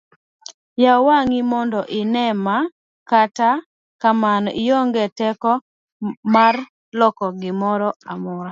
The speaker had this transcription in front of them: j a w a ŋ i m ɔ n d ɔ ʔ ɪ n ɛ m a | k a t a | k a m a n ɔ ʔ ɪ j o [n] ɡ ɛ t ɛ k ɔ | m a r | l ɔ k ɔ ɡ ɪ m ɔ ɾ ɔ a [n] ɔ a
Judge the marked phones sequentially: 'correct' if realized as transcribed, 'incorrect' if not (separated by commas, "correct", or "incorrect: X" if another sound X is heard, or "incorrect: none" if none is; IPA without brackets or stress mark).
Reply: incorrect: ŋ, incorrect: m